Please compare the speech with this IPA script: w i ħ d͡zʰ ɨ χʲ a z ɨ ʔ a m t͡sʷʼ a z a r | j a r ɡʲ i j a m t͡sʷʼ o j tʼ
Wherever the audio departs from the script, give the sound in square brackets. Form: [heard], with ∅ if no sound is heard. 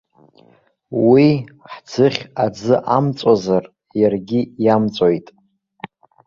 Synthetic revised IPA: w i ħ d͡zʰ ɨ χʲ a [d͡z] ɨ ʔ a m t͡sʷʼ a z a r | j a r ɡʲ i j a m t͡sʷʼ o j tʼ